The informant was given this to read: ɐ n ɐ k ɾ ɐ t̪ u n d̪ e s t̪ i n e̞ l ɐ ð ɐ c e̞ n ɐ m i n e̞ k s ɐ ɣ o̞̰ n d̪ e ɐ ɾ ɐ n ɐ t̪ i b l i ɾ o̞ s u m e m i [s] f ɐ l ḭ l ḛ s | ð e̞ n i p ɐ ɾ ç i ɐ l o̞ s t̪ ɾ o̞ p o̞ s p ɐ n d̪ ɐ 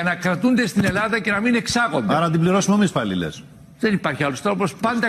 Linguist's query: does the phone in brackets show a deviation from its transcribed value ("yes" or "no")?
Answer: no